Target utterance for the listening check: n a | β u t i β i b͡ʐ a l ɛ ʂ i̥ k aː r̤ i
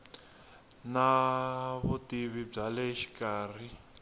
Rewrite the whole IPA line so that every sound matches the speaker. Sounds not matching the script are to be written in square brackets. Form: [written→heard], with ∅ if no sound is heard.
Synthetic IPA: n a | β u t i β i b͡ʐ a l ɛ [ʂ→ʃ] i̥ k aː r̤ i